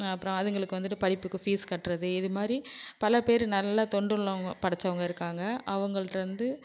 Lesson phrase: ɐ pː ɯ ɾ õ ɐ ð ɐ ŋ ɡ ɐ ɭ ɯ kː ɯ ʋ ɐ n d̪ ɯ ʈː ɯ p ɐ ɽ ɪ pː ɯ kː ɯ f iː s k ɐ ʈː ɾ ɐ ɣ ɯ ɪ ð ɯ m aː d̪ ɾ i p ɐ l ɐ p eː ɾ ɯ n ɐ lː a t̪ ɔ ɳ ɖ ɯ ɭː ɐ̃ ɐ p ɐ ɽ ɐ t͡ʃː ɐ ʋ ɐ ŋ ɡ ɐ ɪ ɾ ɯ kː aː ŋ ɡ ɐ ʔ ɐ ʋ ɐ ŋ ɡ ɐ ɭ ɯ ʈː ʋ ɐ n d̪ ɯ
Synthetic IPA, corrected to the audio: ɐ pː ɯ ɾ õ ɐ ð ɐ ŋ ɡ ɐ ɭ ɯ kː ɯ ʋ ɐ n d̪ ɯ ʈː ɯ p ɐ ɽ ɪ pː ɯ kː ɯ f iː s k ɐ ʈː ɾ ɐ ð ɯ ɪ ð ɯ m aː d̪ ɾ i p ɐ l ɐ p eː ɾ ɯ n ɐ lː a t̪ ɔ ɳ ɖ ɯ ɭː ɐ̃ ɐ p ɐ ɽ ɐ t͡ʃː ɐ ʋ ɐ ŋ ɡ ɐ ɪ ɾ ɯ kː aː ŋ ɡ ɐ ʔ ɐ ʋ ɐ ŋ ɡ ɐ ɭ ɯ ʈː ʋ ɐ n d̪ ɯ